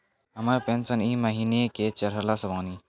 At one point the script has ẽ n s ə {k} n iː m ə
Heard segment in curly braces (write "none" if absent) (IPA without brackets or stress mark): none